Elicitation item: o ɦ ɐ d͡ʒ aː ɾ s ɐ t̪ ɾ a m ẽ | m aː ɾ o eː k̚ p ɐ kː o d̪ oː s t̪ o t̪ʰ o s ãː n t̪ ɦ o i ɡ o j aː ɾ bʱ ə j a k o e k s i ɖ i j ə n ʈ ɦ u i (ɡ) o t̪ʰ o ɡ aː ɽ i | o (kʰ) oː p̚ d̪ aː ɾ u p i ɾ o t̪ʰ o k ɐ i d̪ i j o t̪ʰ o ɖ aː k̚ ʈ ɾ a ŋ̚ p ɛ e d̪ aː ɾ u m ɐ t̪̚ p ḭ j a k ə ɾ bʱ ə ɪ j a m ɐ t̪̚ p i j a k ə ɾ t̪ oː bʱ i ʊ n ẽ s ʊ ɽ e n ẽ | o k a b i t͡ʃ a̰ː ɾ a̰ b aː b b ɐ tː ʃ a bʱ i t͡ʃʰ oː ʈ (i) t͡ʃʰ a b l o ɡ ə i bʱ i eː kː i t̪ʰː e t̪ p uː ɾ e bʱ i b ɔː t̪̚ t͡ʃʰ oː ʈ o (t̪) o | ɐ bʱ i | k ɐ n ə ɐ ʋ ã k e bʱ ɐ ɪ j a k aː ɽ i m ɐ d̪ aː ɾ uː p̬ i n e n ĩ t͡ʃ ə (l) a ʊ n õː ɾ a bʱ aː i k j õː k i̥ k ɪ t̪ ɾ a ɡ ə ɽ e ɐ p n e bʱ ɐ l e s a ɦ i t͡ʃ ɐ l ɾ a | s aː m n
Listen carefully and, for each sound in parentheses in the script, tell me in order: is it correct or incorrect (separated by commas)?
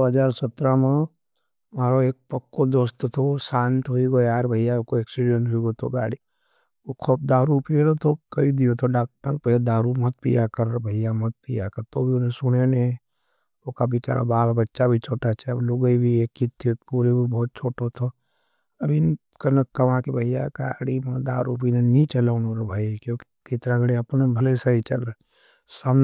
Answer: correct, correct, incorrect, incorrect, correct